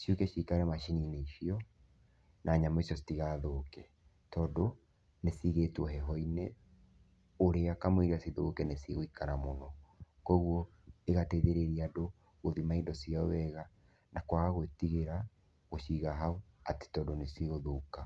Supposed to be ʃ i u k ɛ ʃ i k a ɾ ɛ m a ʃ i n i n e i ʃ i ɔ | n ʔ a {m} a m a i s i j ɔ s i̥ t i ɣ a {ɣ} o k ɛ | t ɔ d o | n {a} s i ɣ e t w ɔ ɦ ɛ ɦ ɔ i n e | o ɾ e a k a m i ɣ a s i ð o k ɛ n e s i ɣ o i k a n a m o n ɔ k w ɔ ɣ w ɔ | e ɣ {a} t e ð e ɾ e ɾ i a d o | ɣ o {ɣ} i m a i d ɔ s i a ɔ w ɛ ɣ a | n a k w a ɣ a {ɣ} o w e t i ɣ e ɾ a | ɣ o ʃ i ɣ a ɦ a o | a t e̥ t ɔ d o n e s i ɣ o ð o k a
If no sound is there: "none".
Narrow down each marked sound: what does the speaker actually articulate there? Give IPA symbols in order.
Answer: ɲ, ð, e, a, ð, ɣ

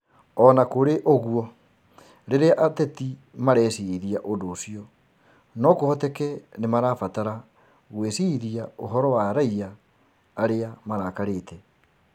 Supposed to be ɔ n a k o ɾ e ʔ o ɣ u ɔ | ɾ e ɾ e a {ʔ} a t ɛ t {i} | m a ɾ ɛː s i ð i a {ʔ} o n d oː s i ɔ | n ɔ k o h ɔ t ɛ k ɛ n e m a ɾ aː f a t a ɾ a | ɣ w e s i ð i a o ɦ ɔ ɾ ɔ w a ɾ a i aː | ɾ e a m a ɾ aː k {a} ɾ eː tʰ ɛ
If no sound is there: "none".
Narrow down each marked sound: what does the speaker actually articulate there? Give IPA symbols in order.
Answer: ʔ, i, ʔ, a

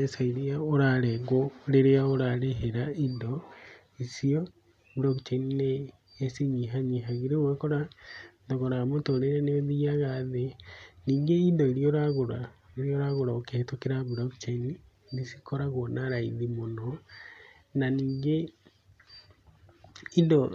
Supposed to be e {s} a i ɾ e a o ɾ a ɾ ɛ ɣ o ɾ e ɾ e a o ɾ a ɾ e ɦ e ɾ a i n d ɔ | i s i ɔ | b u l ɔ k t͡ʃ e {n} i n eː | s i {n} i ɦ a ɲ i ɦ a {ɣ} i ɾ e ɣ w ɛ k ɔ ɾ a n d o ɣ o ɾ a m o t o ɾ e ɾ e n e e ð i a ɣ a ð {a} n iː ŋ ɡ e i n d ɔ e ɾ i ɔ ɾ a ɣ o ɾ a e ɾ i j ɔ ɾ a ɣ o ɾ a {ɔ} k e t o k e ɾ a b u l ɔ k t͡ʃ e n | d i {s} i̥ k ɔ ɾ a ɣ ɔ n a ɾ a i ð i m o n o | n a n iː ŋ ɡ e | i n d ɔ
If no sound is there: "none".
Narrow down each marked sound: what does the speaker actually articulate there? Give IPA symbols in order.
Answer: s, n, ɲ, ɣ, e, o, s

